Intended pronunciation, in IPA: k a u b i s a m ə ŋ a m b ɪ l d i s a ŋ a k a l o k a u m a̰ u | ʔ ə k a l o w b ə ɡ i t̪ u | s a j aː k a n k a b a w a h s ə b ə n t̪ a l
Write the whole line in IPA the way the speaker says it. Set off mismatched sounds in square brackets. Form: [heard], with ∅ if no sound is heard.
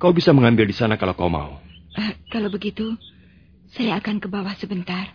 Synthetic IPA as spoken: k a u b i s a m ə ŋ a m b ɪ l d i s a [n] a k a l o k a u m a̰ u | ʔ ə k a l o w b ə ɡ i t̪ u | s a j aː k a n k [ə] b a w a h s ə b ə n t̪ a [r]